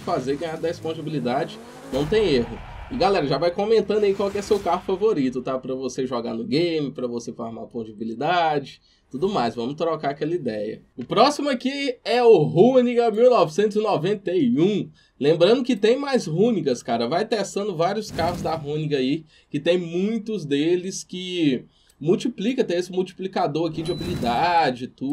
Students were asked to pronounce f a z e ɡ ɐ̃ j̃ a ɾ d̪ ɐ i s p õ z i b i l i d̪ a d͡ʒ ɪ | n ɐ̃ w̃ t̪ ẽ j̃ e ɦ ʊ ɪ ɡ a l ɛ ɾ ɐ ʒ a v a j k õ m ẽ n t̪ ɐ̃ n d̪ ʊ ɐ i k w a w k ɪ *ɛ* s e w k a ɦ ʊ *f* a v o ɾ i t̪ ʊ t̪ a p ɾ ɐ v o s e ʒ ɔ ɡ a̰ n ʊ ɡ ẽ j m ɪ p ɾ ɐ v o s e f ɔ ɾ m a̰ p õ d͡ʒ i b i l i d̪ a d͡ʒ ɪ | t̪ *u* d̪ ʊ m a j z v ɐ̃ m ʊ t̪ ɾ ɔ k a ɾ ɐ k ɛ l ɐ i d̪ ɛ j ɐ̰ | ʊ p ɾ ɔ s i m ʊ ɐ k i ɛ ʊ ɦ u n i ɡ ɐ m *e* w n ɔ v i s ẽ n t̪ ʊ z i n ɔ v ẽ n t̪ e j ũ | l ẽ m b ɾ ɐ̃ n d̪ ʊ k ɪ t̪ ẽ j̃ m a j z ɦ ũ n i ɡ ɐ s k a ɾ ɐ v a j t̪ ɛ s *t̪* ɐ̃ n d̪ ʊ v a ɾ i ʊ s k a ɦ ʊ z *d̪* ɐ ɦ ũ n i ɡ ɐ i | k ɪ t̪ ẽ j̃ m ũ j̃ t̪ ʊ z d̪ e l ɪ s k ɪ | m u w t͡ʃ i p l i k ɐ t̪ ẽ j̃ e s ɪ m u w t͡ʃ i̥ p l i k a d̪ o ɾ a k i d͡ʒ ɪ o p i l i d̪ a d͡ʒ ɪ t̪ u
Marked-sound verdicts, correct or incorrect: correct, correct, correct, incorrect: i, correct, correct

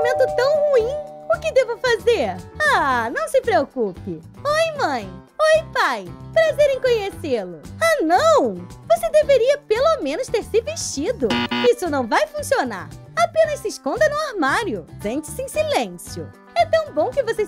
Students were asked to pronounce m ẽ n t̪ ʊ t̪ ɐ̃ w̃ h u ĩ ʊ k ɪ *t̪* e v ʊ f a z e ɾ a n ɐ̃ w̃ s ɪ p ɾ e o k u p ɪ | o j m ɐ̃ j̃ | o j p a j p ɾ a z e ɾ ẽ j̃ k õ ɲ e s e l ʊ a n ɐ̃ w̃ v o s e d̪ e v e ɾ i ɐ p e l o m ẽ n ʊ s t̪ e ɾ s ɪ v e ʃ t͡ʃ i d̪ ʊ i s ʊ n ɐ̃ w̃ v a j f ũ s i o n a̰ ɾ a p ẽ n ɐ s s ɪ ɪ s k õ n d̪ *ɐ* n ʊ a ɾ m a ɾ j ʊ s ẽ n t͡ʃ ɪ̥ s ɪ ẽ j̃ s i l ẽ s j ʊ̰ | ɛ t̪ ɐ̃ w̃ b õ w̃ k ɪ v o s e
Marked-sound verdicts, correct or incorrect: incorrect: d̪, correct

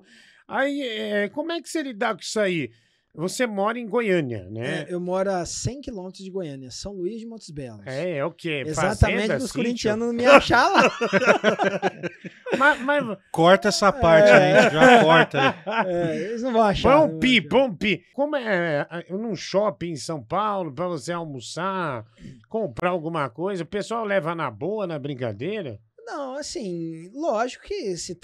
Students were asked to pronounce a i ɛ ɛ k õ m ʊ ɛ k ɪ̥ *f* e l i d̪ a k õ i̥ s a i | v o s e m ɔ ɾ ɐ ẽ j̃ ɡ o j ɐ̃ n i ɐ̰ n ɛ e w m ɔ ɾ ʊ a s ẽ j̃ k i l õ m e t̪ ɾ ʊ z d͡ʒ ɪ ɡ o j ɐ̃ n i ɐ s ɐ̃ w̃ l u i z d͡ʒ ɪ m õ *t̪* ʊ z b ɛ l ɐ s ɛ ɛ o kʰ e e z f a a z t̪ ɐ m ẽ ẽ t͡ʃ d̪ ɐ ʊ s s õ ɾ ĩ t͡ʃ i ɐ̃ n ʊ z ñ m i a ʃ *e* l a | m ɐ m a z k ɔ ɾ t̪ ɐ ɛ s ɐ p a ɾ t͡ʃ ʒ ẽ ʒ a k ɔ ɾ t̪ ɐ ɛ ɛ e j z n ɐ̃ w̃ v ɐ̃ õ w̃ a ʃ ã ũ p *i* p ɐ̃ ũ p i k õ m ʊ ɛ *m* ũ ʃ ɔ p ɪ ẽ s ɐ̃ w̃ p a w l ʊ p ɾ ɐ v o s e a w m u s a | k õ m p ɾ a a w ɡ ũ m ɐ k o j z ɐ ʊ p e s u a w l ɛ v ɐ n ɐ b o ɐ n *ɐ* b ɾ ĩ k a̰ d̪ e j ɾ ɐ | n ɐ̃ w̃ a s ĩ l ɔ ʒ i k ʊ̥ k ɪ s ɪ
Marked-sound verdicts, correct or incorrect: incorrect: s, correct, incorrect: a, correct, incorrect: n, correct

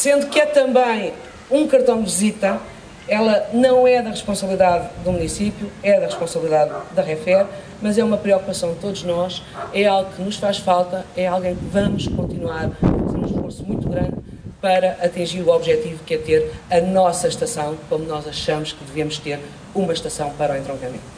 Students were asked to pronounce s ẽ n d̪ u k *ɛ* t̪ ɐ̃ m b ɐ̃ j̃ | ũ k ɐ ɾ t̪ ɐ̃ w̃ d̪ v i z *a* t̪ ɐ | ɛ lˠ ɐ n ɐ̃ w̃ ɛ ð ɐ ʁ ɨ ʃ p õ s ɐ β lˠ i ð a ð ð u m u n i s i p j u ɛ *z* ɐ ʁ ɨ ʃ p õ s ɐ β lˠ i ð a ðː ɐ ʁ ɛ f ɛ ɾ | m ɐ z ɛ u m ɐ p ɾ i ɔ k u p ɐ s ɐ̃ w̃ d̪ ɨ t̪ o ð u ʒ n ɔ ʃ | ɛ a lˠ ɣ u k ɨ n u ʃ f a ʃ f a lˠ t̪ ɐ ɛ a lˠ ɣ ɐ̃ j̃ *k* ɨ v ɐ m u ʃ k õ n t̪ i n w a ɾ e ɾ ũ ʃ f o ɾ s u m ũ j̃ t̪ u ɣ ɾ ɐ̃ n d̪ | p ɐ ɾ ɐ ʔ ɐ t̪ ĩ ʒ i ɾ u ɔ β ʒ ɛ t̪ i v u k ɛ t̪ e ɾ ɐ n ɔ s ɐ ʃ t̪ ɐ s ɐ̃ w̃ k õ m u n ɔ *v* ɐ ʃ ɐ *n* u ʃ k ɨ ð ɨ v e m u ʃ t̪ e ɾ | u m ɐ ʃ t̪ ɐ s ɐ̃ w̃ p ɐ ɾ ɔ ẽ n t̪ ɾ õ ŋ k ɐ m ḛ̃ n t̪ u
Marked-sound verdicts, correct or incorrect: correct, incorrect: i, incorrect: ð, correct, incorrect: z, incorrect: m

